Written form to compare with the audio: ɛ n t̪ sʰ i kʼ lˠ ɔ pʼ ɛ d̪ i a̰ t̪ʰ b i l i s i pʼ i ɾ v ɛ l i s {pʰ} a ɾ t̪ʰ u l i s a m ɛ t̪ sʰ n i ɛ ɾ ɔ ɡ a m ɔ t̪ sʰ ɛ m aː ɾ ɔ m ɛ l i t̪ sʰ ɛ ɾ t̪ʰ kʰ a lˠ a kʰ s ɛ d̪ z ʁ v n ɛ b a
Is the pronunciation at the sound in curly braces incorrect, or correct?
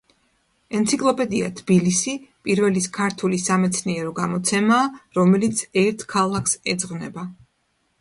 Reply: incorrect